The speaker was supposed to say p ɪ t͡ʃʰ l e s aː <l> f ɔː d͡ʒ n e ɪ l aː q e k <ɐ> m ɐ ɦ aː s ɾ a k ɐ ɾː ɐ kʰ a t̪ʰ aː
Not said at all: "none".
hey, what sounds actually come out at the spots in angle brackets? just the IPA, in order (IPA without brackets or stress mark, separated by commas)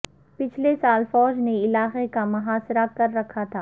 l, a